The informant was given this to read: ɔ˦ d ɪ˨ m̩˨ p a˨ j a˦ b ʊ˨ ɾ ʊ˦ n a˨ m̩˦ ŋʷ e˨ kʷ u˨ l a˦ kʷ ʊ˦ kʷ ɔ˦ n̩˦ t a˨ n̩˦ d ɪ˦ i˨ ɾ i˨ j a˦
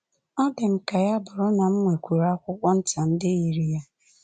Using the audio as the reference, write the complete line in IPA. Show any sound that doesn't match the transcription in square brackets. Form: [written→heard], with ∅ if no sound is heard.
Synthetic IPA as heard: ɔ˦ d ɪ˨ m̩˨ [p→k] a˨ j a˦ b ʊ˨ ɾ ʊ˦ n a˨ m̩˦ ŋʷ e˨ kʷ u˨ [l→ɾ] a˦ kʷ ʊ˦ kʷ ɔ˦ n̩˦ t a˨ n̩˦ d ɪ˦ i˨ ɾ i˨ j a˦